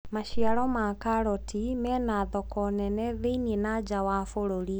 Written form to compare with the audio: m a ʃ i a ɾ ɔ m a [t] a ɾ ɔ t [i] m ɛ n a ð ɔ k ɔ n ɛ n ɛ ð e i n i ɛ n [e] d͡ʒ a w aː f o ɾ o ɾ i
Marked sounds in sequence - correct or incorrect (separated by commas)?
incorrect, correct, incorrect